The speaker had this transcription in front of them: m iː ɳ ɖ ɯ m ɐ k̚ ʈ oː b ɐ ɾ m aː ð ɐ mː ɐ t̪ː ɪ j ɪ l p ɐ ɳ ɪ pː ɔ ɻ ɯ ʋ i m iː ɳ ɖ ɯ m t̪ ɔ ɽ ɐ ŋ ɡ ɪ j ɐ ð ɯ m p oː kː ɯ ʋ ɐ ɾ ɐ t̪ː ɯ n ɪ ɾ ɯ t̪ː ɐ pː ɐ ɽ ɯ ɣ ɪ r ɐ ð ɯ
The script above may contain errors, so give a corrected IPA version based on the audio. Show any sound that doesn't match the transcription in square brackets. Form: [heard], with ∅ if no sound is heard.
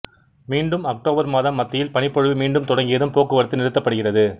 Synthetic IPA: m iː ɳ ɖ ɯ m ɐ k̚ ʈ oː b ɐ ɾ m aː ð ɐ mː ɐ t̪ː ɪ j ɪ l p ɐ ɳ ɪ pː ɔ ɻ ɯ ʋ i m iː ɳ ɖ ɯ m t̪ ɔ ɽ ɐ ŋ ɡ ɪ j ɐ ð ɯ m p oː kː ɯ ʋ ɐ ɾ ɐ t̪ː ɯ n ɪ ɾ ɯ t̪ː ɐ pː ɐ ɽ ɯ ɣ ɪ r ɐ ð ɯ

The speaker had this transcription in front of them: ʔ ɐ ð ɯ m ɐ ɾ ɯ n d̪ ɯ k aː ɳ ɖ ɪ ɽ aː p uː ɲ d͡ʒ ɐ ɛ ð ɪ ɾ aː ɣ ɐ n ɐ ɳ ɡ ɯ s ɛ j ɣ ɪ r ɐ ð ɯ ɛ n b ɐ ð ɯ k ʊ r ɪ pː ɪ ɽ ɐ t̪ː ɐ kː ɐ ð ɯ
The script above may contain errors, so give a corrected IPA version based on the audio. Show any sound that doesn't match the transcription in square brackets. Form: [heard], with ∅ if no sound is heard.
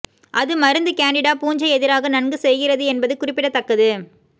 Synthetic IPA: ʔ ɐ ð ɯ m ɐ ɾ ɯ n d̪ ɯ k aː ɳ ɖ ɪ ɽ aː p uː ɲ d͡ʒ ɐ ɛ ð ɪ ɾ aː ɣ ɐ n ɐ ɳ ɡ ɯ s ɛ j ɣ ɪ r ɐ ð ɯ ɛ n b ɐ ð ɯ k ʊ r ɪ pː ɪ ɽ ɐ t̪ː ɐ kː ɐ ð ɯ

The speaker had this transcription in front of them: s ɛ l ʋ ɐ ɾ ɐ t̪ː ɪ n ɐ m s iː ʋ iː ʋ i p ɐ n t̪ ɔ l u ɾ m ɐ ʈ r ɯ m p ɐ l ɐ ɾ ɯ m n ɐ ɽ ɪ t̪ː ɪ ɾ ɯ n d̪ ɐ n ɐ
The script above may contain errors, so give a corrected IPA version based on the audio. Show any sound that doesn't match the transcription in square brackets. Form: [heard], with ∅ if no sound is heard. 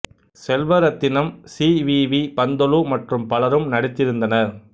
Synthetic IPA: s ɛ l ʋ ɐ ɾ ɐ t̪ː ɪ n ɐ m s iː ʋ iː ʋ i p ɐ n [d̪] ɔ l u [∅] m ɐ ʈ r ɯ m p ɐ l ɐ ɾ ɯ m n ɐ ɽ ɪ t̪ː ɪ ɾ ɯ n d̪ ɐ n ɐ

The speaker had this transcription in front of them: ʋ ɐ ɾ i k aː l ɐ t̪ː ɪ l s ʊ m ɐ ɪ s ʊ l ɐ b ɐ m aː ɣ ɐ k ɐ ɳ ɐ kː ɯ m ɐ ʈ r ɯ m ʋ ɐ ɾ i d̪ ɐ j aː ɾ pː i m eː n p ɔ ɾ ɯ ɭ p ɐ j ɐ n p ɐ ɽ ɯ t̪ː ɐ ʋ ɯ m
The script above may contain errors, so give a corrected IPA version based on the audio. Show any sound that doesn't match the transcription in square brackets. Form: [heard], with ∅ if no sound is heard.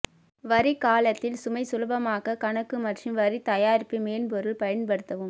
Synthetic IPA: ʋ ɐ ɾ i k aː l ɐ t̪ː ɪ l s ʊ m ɐ ɪ s ʊ l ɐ b ɐ m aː ɣ ɐ k ɐ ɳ ɐ kː ɯ m ɐ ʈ r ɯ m ʋ ɐ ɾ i [t̪] ɐ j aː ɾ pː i m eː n p ɔ ɾ ɯ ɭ p ɐ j ɐ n p ɐ ɽ ɯ t̪ː ɐ ʋ ɯ m

